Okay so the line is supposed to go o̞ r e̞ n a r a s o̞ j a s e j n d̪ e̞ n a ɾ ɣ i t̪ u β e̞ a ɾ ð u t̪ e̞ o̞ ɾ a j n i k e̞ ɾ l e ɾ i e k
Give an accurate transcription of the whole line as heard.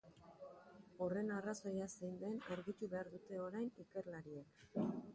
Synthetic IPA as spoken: o̞ r e̞ n a r a s o̞ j a s e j n d̪ e̞ n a ɾ ɣ i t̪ u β e̞ a ɾ ð u t̪ e̞ o̞ ɾ a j n i k e̞ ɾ l a ɾ i e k